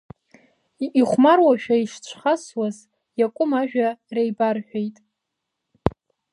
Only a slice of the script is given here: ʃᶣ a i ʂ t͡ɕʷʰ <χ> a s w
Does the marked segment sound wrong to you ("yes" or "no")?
no